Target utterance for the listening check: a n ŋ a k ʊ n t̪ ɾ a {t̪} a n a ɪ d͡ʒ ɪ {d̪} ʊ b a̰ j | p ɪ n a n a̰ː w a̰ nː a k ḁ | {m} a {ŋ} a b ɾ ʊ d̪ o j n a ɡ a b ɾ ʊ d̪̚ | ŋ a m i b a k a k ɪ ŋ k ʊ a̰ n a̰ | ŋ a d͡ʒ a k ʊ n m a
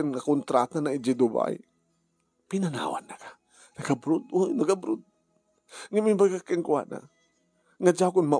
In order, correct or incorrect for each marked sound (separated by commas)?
correct, correct, incorrect, incorrect